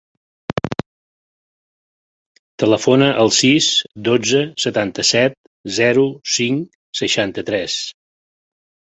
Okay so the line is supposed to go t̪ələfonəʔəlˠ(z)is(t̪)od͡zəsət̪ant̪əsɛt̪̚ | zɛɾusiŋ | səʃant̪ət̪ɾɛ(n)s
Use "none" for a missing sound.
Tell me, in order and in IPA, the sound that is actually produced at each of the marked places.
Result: s, d̪, none

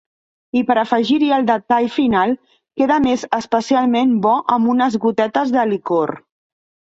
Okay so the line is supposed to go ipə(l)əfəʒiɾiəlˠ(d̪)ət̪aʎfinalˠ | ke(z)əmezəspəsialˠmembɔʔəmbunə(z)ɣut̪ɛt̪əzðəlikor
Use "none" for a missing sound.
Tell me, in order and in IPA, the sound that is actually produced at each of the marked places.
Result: ɾ, d̪, ð, z

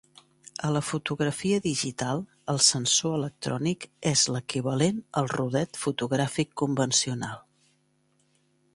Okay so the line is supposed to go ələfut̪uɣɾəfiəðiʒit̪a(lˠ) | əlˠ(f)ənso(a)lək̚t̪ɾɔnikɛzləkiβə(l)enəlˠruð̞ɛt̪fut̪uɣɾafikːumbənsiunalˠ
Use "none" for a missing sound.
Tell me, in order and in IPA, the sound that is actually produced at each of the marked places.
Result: lˠ, s, ə, l

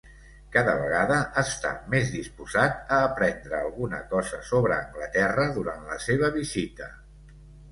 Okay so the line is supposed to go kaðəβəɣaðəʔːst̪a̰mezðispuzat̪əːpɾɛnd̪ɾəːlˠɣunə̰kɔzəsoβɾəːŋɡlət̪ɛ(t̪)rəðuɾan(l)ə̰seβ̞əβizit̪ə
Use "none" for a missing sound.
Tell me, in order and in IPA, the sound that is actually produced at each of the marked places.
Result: none, l

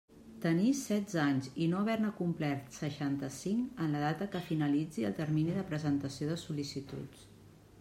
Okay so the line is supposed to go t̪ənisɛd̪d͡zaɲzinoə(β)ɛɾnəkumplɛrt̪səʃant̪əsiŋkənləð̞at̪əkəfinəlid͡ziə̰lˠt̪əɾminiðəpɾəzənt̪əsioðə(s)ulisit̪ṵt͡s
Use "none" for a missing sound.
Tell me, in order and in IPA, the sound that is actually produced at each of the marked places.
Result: β, s

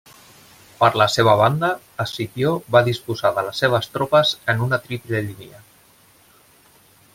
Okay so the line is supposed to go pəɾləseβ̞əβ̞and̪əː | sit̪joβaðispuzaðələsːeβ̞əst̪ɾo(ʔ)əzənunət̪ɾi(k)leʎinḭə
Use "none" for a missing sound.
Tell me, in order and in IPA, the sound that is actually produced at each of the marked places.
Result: p, p

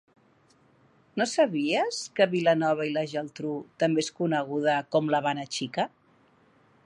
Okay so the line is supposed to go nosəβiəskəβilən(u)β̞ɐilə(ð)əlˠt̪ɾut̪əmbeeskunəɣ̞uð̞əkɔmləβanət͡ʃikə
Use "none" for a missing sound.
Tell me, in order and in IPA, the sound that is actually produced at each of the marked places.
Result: ɔ, ʒ

